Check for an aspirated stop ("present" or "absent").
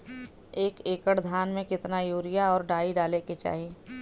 absent